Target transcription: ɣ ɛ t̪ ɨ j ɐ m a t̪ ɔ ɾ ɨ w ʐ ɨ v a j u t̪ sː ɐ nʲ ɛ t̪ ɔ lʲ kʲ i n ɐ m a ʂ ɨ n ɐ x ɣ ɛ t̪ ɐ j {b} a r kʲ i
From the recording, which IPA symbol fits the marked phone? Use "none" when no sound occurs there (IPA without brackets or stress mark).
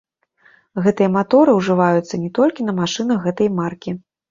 m